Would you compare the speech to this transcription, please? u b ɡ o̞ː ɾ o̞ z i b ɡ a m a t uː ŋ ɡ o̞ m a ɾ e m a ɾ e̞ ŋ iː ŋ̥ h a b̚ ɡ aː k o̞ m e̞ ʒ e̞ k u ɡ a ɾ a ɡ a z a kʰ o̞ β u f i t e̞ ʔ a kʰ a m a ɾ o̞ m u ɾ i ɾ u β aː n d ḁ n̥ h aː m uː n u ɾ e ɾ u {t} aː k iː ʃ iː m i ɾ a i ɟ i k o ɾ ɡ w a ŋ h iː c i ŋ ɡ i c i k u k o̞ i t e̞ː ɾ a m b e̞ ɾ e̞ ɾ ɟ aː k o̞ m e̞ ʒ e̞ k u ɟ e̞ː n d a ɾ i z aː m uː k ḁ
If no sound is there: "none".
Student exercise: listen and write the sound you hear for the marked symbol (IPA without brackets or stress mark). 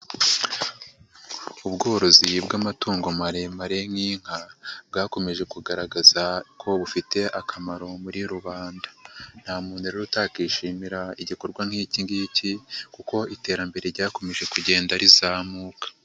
t